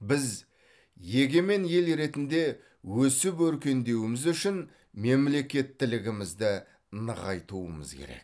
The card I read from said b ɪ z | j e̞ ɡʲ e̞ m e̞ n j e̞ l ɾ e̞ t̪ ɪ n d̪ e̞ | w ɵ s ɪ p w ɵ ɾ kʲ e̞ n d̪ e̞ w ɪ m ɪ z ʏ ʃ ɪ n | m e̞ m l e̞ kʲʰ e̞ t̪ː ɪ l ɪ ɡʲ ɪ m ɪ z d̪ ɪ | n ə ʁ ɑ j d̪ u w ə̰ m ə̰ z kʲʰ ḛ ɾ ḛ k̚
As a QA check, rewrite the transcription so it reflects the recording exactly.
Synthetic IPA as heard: b ɪ z | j e̞ ɡʲ e̞ m e̞ n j e̞ l ɾ e̞ t̪ ɪ n d̪ e̞ | w ɵ s ɪ p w ɵ ɾ kʲ e̞ n d̪ e̞ w ɪ m ɪ z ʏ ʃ ɪ n | m e̞ m l e̞ kʲ e̞ t̪ː ɪ l ɪ ɡʲ ɪ m ɪ z d̪ ɪ | n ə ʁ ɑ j t̪ u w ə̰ m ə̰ z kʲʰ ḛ ɾ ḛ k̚